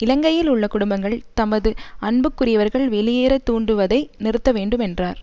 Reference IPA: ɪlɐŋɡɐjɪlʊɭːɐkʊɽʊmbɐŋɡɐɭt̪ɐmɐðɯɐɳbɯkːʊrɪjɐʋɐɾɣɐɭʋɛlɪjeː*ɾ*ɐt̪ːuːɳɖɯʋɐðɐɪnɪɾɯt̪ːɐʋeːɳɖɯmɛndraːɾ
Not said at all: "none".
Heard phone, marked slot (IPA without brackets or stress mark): ɾ